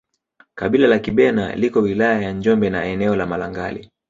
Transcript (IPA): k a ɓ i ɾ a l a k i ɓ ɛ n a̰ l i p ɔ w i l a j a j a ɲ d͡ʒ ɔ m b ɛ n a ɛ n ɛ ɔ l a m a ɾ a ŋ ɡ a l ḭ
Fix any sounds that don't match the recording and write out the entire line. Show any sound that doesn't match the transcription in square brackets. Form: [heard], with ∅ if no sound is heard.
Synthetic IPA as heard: k a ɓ i [l] a l a k i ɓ ɛ n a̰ l i [k] ɔ w i l a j a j a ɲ d͡ʒ ɔ m b ɛ n a ɛ n ɛ ɔ l a m a [l] a ŋ ɡ a l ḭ